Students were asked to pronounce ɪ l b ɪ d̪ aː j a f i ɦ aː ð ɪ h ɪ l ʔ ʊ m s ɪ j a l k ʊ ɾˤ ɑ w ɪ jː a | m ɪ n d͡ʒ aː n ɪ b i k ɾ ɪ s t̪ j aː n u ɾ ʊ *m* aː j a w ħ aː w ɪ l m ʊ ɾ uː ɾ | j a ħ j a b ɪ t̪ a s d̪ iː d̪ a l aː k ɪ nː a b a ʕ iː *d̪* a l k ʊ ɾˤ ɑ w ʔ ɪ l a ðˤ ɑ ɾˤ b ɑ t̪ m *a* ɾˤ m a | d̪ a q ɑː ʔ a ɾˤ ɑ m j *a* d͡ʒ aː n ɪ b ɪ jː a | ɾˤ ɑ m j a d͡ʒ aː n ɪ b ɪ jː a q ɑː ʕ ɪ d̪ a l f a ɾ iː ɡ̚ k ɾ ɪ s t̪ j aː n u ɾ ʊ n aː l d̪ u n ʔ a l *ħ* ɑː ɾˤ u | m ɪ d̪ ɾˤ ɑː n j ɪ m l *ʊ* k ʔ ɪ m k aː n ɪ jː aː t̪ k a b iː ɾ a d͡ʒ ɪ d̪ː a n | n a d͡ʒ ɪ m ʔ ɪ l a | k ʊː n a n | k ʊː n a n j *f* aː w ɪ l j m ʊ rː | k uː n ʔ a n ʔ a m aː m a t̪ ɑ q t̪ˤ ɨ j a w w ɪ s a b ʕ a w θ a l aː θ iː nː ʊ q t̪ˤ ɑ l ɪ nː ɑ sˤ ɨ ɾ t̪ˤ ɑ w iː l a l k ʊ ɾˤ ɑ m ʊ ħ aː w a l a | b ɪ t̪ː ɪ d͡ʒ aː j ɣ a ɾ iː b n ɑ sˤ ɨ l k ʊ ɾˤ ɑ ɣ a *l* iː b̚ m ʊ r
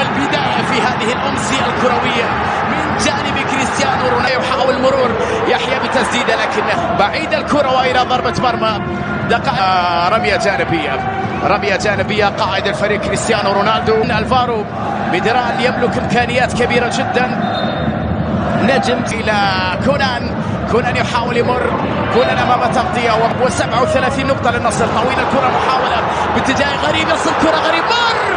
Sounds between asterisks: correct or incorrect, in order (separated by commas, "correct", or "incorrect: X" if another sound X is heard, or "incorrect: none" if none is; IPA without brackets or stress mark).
incorrect: n, correct, incorrect: ɑ, correct, incorrect: f, correct, incorrect: ħ, incorrect: ɾ